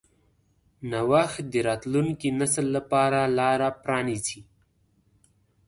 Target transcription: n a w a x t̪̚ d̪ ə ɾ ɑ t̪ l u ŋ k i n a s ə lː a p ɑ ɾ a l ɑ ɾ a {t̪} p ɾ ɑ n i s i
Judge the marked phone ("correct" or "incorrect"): incorrect